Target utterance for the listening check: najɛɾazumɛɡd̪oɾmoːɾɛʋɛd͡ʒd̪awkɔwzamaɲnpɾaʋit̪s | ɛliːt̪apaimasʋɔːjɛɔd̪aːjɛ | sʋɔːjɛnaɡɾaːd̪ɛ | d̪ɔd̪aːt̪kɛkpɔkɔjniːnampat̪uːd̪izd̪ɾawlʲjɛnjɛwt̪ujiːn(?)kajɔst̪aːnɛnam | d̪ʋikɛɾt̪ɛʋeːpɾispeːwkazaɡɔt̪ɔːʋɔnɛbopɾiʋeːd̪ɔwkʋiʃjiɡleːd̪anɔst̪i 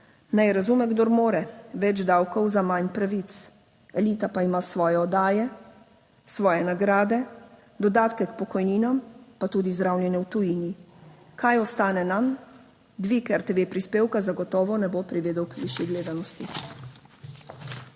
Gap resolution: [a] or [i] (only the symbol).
i